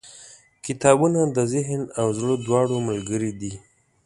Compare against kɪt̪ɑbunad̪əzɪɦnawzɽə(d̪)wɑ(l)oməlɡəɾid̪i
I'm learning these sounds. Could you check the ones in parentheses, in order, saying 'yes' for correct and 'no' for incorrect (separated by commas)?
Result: yes, no